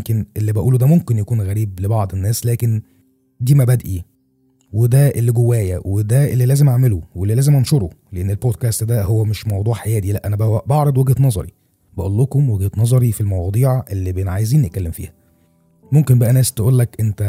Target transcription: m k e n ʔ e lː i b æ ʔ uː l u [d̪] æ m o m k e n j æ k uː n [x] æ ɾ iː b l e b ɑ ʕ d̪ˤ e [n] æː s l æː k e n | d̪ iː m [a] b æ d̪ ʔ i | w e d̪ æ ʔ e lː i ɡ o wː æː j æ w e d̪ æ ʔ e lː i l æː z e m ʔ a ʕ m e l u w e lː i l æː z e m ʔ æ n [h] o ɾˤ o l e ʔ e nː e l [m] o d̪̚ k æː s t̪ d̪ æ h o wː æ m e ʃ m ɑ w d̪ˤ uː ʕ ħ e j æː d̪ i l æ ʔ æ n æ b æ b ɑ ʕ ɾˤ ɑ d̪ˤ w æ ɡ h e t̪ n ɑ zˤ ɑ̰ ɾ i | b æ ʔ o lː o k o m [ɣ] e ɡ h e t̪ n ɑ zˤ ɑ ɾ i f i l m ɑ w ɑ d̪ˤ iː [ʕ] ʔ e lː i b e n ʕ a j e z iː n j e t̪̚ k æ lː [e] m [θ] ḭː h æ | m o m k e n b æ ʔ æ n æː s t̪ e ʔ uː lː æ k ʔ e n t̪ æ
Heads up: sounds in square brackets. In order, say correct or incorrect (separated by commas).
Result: correct, incorrect, incorrect, incorrect, incorrect, incorrect, incorrect, correct, correct, incorrect